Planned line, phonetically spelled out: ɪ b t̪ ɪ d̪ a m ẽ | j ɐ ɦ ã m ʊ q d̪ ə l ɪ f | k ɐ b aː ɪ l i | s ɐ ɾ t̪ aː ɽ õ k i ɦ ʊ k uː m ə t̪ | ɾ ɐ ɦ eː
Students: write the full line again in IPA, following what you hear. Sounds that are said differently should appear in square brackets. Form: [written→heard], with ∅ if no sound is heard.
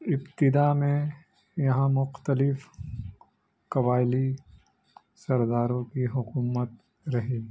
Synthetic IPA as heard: ɪ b t̪ ɪ d̪ a m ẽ | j ɐ ɦ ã m ʊ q [d̪→t̪] ə l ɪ f | k ɐ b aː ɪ l i | s ɐ ɾ [t̪→d̪] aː [ɽ→ɾ] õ k i ɦ ʊ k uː m ə t̪ | ɾ ɐ ɦ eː